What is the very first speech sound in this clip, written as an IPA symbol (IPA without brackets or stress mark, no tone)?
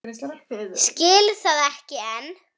s